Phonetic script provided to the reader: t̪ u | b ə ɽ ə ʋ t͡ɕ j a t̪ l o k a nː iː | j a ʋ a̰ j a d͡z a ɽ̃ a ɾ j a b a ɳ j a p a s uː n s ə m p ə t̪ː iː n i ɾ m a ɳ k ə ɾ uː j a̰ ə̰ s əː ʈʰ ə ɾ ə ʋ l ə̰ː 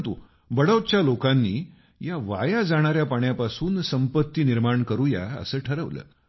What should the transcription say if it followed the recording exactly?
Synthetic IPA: t̪ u | b ə ɽ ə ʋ t͡ɕ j a l o k a nː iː | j a ʋ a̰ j a d͡z a ɽ̃ a ɾ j a p a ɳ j a p a s uː n s ə m p ə t̪ː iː n i ɾ m a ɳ k ə ɾ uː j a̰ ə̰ s əː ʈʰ ə ɾ ə ʋ l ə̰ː